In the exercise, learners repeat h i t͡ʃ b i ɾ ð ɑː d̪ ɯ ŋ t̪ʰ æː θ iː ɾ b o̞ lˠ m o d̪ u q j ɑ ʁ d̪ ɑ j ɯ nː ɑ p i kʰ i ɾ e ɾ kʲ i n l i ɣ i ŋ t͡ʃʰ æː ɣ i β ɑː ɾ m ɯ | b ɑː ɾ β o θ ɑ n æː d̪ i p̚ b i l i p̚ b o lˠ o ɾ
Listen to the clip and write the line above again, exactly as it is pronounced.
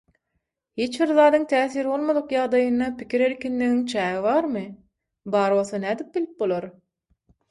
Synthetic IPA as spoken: h i t͡ʃ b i ɾ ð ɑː d̪ ɯ ŋ t̪ʰ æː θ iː ɾ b o̞ lˠ m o d̪ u q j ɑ ʁ d̪ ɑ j ɯ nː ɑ p i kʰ i ɾ e ɾ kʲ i n l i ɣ i ŋ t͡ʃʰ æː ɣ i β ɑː ɾ m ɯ | b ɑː ɾ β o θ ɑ n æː d̪ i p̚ b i l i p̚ b o lˠ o ɾ